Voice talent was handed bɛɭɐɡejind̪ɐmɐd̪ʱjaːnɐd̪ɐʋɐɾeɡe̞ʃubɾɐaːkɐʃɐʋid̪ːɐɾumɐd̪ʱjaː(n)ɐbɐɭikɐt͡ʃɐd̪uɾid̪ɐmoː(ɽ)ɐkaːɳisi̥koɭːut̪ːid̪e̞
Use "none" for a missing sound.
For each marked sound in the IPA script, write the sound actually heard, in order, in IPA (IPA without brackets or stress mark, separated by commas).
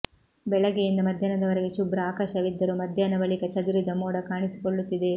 n, ɽ